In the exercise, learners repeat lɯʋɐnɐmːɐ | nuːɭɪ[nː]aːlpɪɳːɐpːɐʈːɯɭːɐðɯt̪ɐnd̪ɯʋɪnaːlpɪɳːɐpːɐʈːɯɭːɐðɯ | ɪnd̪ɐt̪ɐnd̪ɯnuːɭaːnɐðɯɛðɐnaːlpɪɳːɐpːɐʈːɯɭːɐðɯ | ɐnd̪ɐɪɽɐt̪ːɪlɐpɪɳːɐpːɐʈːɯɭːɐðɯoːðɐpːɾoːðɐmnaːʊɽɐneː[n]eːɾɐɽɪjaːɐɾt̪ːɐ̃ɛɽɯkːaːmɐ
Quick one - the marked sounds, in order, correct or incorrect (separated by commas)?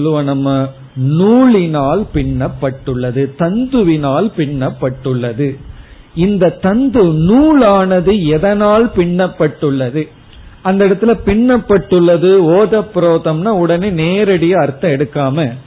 incorrect, correct